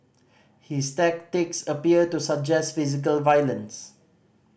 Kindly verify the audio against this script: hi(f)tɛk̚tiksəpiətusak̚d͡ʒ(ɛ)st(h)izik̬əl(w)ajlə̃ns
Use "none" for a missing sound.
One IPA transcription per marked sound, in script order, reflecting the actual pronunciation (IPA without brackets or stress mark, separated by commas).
s, ɛ, f, v